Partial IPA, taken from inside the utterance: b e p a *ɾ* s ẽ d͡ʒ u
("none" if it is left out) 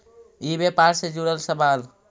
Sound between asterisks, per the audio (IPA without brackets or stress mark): ɾ